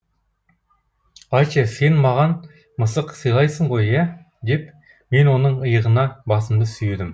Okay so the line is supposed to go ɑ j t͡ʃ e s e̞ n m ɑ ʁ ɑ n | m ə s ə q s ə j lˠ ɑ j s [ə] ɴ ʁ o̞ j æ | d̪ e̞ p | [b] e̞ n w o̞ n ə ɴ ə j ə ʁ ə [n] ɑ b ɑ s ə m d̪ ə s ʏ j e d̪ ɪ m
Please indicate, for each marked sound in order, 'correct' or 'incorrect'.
correct, incorrect: m, correct

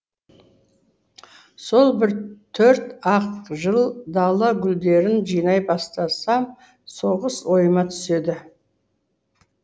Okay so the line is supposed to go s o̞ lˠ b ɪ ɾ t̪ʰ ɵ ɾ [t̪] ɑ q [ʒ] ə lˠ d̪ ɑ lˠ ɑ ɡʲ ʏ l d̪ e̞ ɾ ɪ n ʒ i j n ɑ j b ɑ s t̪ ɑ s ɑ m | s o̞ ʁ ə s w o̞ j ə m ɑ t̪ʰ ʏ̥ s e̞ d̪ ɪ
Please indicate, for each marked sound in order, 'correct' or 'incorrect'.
correct, correct

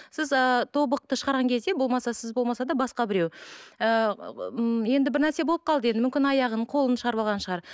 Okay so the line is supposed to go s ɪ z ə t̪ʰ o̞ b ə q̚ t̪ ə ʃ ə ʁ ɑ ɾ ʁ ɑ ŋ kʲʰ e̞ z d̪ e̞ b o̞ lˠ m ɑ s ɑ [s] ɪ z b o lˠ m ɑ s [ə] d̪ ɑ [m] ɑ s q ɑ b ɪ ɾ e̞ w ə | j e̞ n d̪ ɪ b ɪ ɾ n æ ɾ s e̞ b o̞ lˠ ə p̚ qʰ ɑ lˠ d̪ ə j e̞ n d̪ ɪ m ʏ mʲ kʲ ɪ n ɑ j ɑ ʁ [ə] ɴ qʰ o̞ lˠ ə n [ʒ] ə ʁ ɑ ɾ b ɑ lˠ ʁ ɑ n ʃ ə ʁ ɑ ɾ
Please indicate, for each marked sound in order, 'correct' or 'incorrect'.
correct, incorrect: ɑ, incorrect: b, correct, incorrect: ʃ

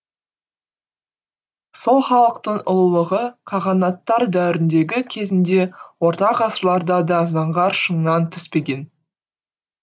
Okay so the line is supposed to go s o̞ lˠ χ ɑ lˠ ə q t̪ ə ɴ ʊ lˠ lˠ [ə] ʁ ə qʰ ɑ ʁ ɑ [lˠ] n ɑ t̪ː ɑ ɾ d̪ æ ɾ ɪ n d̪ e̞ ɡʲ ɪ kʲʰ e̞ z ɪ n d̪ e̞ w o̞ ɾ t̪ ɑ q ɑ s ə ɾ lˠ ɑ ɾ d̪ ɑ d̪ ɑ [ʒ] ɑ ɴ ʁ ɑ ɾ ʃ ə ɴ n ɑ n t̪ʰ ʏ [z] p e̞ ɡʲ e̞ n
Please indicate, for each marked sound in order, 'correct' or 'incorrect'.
correct, incorrect: none, incorrect: z, incorrect: s

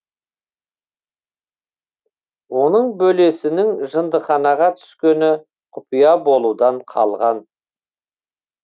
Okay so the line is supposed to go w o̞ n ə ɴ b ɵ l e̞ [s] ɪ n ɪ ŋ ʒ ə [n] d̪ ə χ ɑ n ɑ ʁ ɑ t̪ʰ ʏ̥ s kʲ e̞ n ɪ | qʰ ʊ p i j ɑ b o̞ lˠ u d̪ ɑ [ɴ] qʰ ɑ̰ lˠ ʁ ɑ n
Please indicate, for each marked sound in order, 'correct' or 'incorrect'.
correct, correct, correct

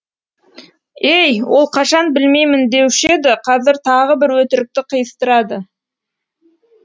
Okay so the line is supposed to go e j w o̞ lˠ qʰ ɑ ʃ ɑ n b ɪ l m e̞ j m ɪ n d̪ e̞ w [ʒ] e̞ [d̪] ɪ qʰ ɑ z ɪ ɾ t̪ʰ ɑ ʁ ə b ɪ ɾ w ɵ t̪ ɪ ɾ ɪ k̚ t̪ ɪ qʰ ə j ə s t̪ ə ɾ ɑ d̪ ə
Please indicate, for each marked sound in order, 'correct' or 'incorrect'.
incorrect: ʃ, correct

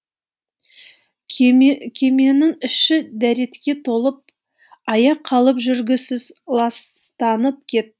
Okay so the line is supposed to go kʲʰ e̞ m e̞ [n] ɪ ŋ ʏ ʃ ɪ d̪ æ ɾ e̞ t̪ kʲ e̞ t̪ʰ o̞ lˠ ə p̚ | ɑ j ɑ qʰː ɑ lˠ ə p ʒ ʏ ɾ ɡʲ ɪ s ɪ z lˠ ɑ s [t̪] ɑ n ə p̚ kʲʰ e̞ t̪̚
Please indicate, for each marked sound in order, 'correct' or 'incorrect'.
correct, correct

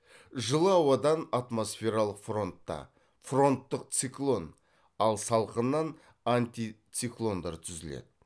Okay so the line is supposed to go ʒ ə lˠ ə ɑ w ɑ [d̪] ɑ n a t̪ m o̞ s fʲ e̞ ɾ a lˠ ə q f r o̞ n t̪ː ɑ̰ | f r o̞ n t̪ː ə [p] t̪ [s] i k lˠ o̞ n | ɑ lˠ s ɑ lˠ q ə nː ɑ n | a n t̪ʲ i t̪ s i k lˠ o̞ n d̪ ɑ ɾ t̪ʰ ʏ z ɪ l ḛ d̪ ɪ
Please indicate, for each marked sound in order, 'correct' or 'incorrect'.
correct, incorrect: q, correct

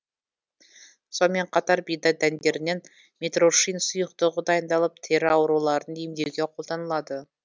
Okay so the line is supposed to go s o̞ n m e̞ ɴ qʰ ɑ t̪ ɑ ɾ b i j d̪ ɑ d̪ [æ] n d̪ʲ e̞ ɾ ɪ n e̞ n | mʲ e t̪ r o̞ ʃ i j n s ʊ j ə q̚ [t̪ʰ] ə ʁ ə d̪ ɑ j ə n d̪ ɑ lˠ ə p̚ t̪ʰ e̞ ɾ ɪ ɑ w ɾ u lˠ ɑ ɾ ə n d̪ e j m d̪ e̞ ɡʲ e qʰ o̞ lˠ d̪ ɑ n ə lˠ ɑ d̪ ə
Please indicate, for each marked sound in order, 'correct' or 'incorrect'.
correct, incorrect: t̪

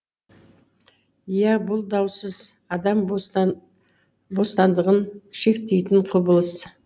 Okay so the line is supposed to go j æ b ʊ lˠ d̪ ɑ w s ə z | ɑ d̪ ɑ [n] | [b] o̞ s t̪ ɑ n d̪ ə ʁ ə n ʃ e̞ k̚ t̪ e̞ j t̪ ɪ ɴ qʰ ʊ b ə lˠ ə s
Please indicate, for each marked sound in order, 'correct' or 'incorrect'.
incorrect: m, correct

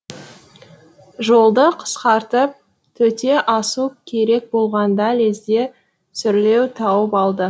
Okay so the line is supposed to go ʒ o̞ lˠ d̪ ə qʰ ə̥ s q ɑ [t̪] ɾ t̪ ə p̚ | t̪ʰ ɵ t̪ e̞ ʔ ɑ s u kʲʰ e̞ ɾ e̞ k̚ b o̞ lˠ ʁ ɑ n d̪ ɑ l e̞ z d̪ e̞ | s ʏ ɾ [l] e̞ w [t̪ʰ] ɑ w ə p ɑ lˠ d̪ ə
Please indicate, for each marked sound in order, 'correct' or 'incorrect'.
incorrect: none, correct, correct

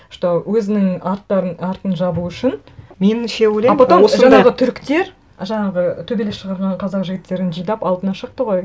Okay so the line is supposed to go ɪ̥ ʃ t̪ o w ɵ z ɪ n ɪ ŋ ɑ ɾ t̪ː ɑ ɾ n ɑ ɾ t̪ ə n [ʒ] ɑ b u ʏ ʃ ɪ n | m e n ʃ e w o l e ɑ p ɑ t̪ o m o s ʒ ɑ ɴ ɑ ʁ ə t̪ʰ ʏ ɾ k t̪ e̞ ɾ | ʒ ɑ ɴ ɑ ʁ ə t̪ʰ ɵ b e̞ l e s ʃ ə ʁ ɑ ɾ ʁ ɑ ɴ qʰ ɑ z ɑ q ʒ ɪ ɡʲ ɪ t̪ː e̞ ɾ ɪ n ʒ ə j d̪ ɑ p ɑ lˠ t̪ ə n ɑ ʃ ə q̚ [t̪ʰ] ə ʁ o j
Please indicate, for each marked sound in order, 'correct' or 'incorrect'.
correct, incorrect: t̪

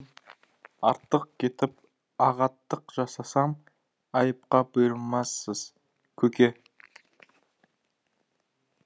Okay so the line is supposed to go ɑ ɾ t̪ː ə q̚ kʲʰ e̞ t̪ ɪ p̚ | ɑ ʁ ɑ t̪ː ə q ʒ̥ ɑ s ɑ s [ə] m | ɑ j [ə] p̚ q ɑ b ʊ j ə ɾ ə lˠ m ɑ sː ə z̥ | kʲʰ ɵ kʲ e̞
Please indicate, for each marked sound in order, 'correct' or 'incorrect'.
incorrect: ɑ, correct

